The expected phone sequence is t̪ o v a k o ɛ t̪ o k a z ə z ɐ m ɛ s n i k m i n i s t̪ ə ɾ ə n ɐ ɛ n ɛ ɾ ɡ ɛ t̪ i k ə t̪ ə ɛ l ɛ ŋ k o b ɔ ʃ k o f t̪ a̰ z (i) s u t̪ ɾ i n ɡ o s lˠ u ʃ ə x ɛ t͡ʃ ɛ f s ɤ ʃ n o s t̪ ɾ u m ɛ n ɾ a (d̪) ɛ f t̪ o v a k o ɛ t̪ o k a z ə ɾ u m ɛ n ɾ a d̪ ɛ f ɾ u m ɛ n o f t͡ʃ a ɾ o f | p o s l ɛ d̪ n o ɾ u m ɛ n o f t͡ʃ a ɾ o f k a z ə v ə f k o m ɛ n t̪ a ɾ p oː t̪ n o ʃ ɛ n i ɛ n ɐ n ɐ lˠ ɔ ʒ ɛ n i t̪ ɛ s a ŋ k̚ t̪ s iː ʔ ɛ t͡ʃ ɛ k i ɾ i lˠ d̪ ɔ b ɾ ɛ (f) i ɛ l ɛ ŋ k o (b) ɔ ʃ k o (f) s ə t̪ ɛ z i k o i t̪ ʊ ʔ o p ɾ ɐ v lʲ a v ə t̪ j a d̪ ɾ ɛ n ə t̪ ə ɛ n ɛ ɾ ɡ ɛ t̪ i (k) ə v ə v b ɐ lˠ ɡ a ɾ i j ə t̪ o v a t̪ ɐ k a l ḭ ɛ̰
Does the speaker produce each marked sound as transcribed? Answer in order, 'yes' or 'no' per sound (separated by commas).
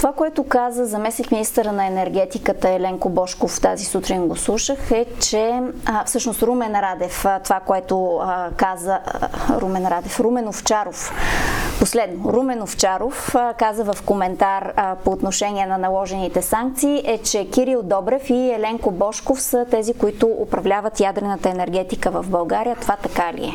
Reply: yes, yes, yes, yes, yes, yes